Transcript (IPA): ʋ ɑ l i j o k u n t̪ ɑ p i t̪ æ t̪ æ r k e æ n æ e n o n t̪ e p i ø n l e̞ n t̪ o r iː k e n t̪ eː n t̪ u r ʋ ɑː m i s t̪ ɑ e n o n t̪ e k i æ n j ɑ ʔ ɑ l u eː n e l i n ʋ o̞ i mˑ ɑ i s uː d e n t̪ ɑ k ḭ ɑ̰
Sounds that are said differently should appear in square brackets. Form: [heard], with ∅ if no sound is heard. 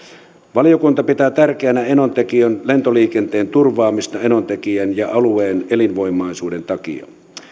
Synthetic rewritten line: ʋ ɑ l i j o k u n t̪ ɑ p i t̪ [æː] t̪ æ r k e æ n æ e n o n t̪ e [k] i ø n l e̞ n t̪ o [l] iː k e n t̪ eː n t̪ u r ʋ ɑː m i s t̪ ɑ e n o n t̪ e k i æ n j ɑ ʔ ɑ l u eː n e l i n ʋ o̞ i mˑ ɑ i s uː d e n t̪ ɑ k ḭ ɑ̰